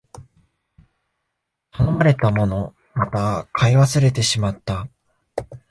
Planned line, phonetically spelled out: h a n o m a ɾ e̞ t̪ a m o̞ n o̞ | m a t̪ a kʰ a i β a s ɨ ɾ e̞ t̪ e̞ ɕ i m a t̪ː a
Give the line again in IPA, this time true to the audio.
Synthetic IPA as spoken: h a n o m a ɾ e̞ t̪ a m o̞ n o̞ | m a t̪ a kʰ a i β a s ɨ ɾ e̞ t̪ e̞ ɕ i m a t̪ː a